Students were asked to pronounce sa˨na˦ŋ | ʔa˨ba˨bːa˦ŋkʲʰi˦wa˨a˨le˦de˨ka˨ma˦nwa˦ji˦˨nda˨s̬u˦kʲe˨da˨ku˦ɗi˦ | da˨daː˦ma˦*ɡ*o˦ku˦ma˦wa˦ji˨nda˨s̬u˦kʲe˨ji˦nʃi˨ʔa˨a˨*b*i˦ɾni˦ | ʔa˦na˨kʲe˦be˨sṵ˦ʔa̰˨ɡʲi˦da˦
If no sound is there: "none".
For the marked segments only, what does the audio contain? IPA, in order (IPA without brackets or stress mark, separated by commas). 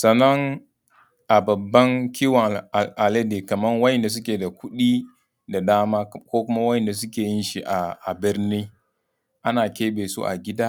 k, b